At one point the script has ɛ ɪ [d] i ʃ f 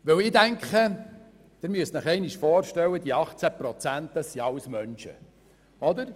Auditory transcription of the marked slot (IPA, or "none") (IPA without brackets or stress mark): n